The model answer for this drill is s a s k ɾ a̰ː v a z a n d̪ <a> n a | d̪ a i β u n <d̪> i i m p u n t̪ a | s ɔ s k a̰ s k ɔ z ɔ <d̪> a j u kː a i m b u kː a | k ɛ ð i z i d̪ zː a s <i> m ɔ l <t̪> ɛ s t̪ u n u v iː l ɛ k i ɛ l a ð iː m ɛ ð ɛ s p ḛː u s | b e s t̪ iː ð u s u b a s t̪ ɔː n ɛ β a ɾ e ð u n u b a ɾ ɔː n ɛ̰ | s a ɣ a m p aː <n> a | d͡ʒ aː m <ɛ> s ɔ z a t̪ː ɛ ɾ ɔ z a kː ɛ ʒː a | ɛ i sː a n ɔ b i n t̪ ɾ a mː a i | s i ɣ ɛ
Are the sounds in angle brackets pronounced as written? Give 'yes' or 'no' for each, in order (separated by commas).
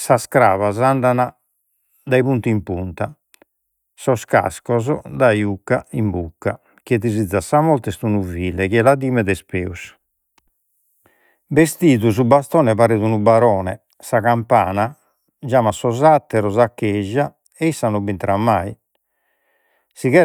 yes, no, yes, no, yes, yes, no